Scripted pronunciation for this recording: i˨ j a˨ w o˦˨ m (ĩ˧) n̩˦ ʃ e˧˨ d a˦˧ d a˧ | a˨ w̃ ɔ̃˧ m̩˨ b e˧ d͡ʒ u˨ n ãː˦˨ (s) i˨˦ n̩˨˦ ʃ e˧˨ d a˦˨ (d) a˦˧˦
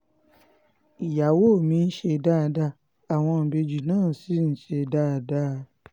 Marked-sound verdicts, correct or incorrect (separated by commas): correct, correct, correct